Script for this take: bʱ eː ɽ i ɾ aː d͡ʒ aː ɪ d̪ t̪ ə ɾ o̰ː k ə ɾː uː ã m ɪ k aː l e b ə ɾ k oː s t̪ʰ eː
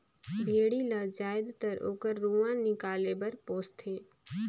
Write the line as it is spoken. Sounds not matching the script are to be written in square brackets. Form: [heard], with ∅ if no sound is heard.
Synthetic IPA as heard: bʱ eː ɽ i [l] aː d͡ʒ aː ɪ d̪ t̪ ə ɾ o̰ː k ə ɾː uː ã [n] ɪ k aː l e b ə ɾ [p] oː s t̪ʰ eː